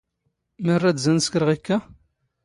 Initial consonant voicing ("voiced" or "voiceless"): voiced